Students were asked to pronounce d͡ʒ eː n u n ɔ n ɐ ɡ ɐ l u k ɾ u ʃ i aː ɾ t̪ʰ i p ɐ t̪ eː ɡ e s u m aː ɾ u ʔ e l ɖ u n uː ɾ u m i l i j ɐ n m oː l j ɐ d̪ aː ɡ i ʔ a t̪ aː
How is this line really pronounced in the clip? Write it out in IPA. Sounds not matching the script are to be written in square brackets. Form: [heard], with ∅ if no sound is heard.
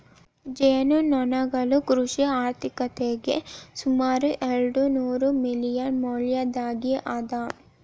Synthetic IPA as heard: d͡ʒ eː n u n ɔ n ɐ ɡ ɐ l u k ɾ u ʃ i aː ɾ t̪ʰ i [k] ɐ t̪ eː ɡ e s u m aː ɾ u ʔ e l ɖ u n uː ɾ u m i l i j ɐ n m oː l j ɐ d̪ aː ɡ i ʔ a [d̪] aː